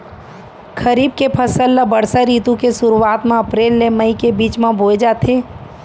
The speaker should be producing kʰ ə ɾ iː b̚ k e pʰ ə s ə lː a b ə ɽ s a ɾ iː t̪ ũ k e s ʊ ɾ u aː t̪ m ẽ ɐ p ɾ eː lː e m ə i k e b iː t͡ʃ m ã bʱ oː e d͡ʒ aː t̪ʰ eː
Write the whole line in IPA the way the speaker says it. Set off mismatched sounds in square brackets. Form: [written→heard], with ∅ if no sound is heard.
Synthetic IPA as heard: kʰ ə ɾ iː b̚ k e pʰ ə s ə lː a b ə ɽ s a ɾ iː t̪ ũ k e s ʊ ɾ u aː t̪ m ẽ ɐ p ɾ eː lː e m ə i k e b iː t͡ʃ m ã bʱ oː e d͡ʒ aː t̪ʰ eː